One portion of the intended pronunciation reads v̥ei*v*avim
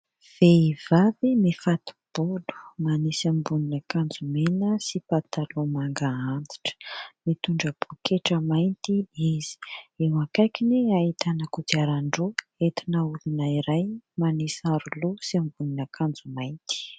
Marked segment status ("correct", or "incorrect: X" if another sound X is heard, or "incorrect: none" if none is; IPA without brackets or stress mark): correct